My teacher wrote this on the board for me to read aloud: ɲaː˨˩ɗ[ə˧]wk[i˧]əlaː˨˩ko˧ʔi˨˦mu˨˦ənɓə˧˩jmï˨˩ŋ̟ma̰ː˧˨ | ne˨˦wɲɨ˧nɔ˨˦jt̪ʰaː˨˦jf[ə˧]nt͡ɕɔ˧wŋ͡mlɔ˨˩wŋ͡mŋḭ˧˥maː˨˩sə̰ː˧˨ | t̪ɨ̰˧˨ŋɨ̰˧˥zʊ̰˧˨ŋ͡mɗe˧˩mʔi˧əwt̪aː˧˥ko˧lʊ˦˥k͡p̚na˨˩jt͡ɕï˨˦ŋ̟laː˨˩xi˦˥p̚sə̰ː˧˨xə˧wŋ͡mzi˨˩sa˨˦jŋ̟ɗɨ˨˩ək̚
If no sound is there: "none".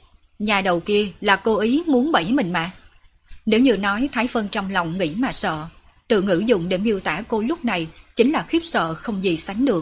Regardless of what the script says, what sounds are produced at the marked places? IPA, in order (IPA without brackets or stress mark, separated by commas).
ə˨˩, i˧, ə˧